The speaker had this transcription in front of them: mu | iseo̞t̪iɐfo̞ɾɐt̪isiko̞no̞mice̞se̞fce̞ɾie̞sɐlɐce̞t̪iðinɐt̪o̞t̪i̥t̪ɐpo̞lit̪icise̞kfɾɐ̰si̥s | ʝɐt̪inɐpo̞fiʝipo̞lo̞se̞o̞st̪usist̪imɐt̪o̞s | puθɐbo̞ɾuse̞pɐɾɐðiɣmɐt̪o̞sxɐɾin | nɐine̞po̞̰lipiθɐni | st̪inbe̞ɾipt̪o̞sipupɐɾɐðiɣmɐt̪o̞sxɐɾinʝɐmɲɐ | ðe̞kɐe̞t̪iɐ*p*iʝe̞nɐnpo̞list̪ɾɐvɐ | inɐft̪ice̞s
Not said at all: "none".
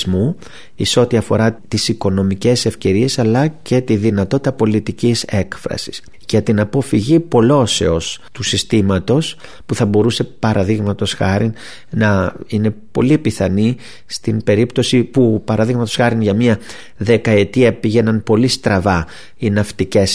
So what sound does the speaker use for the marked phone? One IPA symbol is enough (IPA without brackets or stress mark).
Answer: p